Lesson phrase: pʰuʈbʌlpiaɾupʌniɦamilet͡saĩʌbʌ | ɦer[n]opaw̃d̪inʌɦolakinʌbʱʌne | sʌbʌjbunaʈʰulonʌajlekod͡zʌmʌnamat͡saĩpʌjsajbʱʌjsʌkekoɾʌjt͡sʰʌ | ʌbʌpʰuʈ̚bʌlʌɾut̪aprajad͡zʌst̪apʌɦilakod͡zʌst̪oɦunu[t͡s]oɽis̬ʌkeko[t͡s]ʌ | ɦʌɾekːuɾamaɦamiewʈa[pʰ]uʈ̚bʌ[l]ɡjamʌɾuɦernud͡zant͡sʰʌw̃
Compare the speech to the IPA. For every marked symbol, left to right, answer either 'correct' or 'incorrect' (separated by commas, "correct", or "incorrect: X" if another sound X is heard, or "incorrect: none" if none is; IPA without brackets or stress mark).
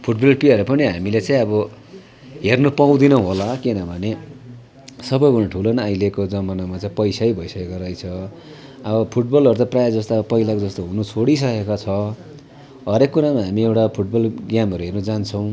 correct, incorrect: t͡sʰ, incorrect: t͡sʰ, correct, correct